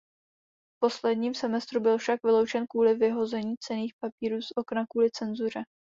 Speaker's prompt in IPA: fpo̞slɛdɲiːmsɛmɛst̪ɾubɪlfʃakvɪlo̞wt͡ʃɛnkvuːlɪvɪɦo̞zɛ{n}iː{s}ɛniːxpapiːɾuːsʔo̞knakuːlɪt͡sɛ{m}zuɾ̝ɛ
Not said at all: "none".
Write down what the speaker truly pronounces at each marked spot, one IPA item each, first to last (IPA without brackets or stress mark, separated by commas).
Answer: ɲ, t͡s, n